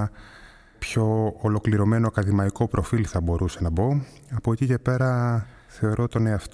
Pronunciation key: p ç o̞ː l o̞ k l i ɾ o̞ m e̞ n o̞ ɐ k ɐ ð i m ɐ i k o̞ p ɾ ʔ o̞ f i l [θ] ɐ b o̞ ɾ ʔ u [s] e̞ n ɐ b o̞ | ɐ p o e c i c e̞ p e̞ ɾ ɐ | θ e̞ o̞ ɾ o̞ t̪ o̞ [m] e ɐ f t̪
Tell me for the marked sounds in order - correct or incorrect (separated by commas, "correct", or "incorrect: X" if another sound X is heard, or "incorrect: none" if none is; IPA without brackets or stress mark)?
correct, correct, incorrect: n